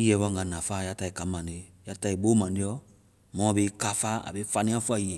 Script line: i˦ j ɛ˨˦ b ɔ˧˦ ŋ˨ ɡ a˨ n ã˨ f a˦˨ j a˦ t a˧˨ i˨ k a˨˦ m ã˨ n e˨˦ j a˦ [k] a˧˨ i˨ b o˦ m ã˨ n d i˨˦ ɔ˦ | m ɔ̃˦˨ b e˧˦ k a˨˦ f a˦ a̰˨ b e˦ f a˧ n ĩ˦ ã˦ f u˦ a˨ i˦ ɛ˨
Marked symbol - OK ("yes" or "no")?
no